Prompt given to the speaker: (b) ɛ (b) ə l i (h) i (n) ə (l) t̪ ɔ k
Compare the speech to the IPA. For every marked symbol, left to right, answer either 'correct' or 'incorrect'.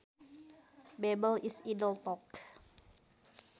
correct, correct, incorrect, incorrect, correct

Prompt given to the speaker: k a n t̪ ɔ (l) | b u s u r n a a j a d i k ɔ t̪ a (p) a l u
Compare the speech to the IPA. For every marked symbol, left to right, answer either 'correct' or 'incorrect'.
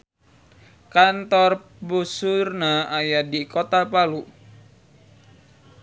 incorrect, correct

